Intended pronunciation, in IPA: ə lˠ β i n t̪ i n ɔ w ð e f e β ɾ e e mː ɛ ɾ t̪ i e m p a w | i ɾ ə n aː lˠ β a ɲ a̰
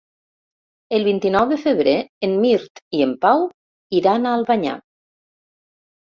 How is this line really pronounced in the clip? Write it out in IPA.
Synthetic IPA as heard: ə lˠ β i n t̪ i n ɔ w ð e f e β ɾ e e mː i ɾ t̪ i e m p a w | i ɾ a n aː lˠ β a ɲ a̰